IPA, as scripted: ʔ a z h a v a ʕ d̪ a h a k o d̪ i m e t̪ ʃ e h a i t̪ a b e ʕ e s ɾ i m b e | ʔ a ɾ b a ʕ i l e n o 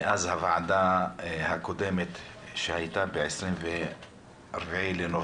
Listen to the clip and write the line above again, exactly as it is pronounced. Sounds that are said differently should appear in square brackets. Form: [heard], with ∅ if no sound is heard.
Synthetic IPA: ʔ a z h a v a ʕ d̪ a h a k o d̪ [e] m e t̪ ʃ e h a [j] t̪ a b e ʕ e s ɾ i m [v] e | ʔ a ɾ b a ʕ i l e n o